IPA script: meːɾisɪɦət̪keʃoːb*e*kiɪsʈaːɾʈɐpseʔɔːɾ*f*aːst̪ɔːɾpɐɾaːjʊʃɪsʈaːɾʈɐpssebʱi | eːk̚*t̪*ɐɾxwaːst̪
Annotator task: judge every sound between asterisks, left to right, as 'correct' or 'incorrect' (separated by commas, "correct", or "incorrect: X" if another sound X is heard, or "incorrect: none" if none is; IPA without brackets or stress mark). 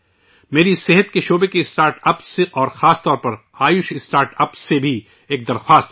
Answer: correct, incorrect: x, incorrect: d̪